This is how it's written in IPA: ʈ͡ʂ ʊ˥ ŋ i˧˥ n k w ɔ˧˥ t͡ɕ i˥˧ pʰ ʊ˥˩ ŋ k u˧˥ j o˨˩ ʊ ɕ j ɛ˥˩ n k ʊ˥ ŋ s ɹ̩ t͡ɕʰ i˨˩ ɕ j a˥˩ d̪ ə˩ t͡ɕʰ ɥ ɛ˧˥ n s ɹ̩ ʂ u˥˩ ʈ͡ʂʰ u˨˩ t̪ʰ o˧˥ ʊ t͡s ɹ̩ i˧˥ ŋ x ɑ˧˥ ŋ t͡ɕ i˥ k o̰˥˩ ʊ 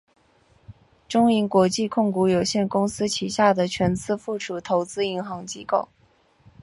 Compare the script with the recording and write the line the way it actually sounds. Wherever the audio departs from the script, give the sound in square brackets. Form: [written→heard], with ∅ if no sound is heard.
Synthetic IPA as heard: ʈ͡ʂ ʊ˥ ŋ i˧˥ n k w ɔ˧˥ t͡ɕ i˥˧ [pʰ→kʰ] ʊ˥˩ ŋ k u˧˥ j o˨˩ ʊ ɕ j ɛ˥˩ n k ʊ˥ ŋ s ɹ̩ t͡ɕʰ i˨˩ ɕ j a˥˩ d̪ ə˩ t͡ɕʰ ɥ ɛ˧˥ n [s→t͡s] ɹ̩ [ʂ→f] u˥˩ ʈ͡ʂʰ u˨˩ t̪ʰ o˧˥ ʊ t͡s ɹ̩ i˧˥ ŋ x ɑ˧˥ ŋ t͡ɕ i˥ k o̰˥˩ ʊ